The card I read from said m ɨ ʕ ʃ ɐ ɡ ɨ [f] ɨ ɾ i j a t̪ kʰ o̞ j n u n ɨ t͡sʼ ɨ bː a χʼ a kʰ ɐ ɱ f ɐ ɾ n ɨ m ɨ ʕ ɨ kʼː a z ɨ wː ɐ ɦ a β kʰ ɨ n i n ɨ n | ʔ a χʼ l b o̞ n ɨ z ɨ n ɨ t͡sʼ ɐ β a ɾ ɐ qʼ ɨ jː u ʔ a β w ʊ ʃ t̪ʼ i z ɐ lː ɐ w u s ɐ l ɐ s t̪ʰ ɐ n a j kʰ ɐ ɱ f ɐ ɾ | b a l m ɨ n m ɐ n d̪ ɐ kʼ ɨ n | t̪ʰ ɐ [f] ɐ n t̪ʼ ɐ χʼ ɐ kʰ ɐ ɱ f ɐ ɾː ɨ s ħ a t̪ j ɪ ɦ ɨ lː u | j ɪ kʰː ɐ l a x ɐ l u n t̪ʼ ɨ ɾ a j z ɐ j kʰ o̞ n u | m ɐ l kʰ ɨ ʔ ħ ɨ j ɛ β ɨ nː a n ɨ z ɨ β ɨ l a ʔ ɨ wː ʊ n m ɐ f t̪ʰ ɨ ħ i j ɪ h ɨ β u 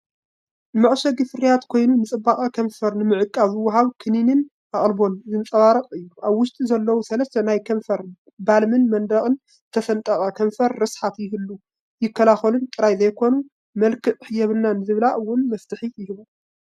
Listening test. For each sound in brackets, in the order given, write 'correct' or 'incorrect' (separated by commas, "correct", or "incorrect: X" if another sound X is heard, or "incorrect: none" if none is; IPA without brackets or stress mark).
correct, correct